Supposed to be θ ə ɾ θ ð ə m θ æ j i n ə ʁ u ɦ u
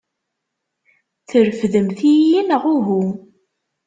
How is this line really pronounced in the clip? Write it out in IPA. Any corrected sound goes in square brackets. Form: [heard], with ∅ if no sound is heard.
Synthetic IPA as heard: θ ə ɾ [f] ð ə m θ [i] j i n ə ʁ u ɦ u